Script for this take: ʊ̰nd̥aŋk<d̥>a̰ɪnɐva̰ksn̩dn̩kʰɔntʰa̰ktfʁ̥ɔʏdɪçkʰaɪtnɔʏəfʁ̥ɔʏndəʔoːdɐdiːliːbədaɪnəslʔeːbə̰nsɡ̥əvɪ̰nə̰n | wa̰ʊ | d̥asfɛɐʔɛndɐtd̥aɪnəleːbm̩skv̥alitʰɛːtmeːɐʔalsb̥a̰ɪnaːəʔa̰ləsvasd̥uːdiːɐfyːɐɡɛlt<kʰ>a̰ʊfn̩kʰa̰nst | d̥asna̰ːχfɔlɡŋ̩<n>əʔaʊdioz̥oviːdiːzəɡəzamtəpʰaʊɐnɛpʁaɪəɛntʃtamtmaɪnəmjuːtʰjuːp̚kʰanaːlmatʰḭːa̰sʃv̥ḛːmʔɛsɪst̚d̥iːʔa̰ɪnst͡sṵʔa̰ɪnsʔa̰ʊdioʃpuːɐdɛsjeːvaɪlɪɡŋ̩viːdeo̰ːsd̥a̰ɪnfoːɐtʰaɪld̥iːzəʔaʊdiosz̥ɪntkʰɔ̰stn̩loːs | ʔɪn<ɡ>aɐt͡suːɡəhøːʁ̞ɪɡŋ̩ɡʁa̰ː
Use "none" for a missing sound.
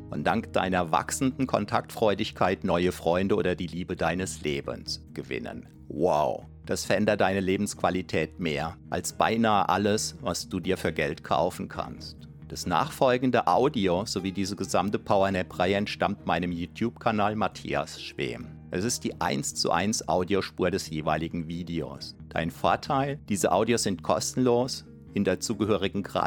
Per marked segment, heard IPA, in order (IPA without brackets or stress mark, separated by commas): d̥, kʰ, d, d